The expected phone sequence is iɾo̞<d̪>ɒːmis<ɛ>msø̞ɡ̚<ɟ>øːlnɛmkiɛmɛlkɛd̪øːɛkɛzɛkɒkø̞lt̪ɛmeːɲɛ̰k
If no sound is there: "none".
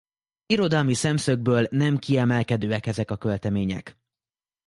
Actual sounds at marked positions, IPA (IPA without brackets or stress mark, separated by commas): d̪, ɛ, b